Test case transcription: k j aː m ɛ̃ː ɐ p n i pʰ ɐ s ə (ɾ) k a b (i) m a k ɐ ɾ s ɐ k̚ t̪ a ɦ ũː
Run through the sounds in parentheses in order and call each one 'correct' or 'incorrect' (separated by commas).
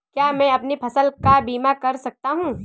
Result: incorrect, incorrect